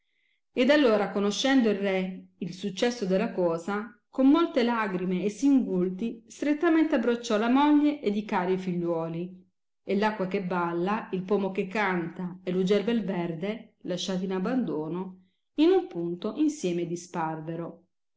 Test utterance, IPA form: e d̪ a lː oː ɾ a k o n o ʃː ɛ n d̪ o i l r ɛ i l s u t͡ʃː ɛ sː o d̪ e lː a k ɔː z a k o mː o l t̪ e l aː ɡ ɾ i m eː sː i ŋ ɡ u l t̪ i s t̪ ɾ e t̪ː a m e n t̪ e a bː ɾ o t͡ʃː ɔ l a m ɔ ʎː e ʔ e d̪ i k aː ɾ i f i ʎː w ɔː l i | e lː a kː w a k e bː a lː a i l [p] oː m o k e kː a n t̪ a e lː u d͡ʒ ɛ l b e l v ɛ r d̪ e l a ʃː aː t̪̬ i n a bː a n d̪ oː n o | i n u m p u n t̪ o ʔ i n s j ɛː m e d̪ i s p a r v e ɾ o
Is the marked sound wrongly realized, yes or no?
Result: no